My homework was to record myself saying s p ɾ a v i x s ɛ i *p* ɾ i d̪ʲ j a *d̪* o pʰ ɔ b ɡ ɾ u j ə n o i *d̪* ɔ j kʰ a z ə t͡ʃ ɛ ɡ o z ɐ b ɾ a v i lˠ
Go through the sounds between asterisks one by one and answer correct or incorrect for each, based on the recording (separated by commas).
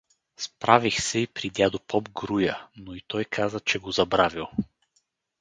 correct, correct, incorrect